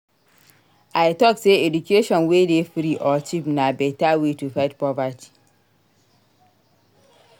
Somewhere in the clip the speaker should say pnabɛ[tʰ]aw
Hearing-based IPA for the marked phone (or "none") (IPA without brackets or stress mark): t